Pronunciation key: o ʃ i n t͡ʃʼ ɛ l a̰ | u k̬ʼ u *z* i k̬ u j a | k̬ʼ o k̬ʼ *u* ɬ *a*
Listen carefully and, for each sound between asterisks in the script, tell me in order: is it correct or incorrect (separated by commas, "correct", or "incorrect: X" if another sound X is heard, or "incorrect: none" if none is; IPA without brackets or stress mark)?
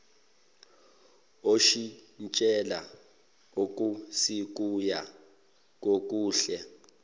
incorrect: s, incorrect: uː, incorrect: ɛ